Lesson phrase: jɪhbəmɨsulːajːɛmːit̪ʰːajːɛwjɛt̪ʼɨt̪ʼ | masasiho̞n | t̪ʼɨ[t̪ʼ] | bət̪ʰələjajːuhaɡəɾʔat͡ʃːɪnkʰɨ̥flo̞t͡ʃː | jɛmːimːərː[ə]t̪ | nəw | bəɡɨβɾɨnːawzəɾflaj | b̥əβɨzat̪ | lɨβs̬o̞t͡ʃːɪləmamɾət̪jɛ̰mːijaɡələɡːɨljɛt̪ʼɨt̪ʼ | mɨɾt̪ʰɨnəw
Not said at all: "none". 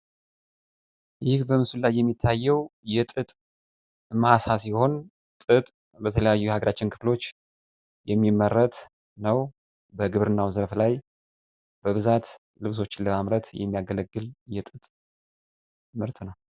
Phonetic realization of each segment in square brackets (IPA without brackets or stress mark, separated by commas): t̪ʼ, ə